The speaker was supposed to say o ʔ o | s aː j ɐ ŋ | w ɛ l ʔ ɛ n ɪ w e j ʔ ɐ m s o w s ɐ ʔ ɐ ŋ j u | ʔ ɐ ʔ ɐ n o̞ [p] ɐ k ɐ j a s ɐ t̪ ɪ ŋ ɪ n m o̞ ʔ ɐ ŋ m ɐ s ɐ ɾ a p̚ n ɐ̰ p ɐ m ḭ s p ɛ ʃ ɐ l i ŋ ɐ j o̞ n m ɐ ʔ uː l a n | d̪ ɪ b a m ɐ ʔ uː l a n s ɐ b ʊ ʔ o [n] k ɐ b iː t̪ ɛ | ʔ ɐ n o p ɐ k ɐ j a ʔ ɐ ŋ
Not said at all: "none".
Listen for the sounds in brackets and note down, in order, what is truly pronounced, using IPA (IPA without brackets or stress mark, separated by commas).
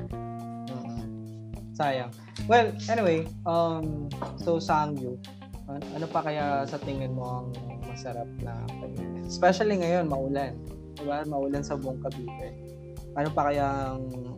p, ŋ